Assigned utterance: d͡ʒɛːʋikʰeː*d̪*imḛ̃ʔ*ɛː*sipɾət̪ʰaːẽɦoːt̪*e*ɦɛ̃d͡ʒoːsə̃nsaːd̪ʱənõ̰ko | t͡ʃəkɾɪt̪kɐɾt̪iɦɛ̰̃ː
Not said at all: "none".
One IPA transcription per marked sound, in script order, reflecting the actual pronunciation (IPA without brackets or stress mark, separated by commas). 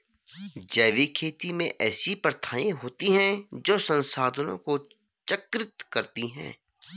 t̪, ɛː, i